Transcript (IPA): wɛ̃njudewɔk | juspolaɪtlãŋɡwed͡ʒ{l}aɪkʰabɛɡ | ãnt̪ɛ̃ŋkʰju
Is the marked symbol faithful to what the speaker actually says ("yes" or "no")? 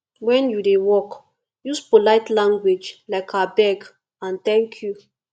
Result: yes